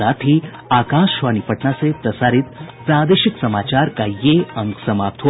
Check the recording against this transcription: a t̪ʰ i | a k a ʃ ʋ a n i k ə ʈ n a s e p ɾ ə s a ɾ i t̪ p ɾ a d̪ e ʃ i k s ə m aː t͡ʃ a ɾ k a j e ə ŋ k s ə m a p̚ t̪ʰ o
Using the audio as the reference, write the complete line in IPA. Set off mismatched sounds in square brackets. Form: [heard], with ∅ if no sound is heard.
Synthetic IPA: a t̪ʰ i | a k a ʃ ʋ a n i [p] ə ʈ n a s e p ɾ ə s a ɾ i t̪ p ɾ a d̪ e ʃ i k s ə m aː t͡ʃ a ɾ k a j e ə ŋ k s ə m a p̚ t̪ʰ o

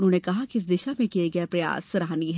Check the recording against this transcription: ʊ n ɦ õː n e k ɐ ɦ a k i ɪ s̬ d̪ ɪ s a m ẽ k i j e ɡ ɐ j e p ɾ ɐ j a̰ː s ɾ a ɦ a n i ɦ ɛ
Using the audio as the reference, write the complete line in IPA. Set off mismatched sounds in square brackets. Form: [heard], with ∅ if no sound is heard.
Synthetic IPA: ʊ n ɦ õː n e k ɐ ɦ a k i ɪ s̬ d̪ ɪ [ʃ] a m ẽ k i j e ɡ ɐ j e p ɾ ɐ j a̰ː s ɾ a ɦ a n i ɦ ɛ

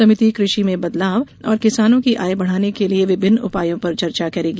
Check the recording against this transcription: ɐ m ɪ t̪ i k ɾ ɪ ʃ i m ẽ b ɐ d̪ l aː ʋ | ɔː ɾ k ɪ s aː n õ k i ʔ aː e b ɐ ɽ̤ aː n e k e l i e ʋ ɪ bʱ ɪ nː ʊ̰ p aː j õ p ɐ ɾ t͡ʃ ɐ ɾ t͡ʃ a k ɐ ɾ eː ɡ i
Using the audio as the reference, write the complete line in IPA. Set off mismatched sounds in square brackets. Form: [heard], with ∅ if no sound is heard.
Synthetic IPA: ɐ m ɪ t̪ i k ɾ ɪ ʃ i m ẽ b ɐ d̪ l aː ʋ | ɔː ɾ k ɪ s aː n õ k i ʔ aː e b ɐ ɽ̤ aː n e k e l i e ʋ ɪ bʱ ɪ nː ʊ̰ p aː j õ p ɐ ɾ t͡ʃ ɐ ɾ t͡ʃ a k ɐ ɾ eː ɡ i

